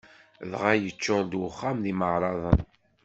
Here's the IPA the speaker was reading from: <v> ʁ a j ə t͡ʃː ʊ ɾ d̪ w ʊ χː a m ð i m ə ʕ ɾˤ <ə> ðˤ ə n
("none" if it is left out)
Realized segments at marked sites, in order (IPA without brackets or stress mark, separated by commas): ð, ɑ